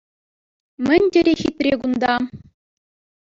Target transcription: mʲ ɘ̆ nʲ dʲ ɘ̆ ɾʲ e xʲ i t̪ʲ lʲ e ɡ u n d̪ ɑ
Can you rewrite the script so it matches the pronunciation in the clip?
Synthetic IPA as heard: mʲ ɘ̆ nʲ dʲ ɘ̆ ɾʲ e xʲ i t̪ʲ rʲ e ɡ u n d̪ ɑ